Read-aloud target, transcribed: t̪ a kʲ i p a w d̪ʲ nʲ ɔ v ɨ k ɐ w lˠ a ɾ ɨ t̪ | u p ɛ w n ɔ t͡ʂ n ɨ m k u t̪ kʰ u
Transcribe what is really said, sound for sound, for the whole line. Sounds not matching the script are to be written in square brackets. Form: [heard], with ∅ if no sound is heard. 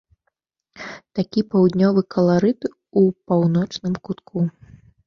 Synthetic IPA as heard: t̪ a kʲ i p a w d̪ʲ nʲ ɔ v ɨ k ɐ [∅] lˠ a ɾ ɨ t̪ | u p [a] w n ɔ t͡ʂ n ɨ m k u t̪ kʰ u